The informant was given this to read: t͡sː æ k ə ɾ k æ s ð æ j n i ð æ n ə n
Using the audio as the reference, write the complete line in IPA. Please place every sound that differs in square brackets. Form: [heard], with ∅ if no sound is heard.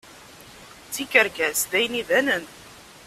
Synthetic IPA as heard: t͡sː [i] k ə ɾ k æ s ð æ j n i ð æ n ə n